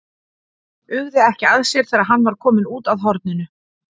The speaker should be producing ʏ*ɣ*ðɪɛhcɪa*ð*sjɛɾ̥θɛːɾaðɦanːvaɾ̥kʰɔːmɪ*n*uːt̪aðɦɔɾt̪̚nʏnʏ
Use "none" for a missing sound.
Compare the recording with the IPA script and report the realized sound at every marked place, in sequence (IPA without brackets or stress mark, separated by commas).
ɣ, ð, n